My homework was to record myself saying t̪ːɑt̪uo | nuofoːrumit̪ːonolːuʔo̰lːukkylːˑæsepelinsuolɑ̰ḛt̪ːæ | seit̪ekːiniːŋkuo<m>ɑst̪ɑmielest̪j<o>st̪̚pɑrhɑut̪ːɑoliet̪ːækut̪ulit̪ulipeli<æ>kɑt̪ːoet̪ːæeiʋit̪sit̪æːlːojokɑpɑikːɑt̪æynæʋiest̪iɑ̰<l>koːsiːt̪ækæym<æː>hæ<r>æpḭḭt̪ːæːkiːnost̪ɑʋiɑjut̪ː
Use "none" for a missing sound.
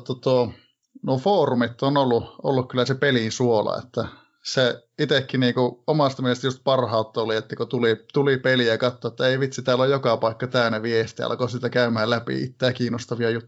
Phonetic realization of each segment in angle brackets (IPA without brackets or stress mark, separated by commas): m, u, æ, l, æ, l